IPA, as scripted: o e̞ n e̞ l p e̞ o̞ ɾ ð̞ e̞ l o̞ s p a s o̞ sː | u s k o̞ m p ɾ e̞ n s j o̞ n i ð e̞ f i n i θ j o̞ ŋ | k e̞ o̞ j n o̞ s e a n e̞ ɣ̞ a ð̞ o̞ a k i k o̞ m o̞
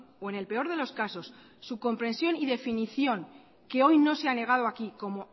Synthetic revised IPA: o e̞ n e̞ l p e̞ o̞ ɾ ð̞ e̞ l o̞ s k a s o̞ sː | u k o̞ m p ɾ e̞ n s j o̞ n i ð e̞ f i n i θ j o̞ ŋ | k e̞ o̞ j n o̞ s e a n e̞ ɣ̞ a ð̞ o̞ a k i k o̞ m o̞